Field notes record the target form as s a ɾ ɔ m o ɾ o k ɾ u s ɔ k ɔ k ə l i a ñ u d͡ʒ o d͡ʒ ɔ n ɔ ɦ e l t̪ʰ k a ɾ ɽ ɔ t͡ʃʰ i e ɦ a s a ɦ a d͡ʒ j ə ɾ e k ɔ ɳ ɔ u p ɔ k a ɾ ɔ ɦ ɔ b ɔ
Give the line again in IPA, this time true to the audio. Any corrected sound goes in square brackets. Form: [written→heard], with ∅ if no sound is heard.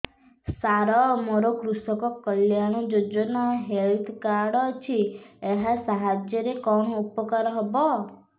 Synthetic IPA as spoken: s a ɾ ɔ m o ɾ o k ɾ u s ɔ k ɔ k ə l [i→j] a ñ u d͡ʒ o d͡ʒ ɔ n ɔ ɦ e l t̪ʰ k a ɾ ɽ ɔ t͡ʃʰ i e ɦ a s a ɦ a d͡ʒ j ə ɾ e k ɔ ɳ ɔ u p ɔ k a ɾ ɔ ɦ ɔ b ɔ